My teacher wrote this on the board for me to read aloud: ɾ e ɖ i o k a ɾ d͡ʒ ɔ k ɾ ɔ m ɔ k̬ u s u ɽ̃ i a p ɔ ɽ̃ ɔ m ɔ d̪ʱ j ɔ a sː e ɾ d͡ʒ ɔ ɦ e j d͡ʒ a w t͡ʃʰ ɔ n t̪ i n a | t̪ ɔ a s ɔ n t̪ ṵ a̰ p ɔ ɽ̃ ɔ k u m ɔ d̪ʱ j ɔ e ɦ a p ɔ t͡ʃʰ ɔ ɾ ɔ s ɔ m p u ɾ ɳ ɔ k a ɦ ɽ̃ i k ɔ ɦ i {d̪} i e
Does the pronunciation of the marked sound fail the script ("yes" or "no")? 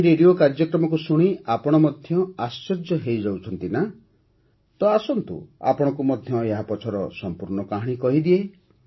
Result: no